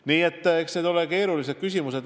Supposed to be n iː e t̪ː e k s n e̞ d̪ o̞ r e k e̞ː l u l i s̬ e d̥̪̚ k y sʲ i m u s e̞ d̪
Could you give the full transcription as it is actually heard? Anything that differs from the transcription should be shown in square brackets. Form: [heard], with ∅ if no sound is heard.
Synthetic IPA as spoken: n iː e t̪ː e k s n e̞ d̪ o̞ [l] e k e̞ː [ɾ] u l i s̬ e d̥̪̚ k y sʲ i m u s e̞ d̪